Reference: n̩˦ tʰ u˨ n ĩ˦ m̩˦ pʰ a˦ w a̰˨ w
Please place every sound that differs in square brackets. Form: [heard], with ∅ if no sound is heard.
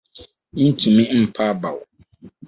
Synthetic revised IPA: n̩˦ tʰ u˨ [m] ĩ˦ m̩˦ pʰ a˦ [b] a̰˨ w